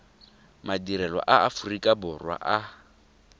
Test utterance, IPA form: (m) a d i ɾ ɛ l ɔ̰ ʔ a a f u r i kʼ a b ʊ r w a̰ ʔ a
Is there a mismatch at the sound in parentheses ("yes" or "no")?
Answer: no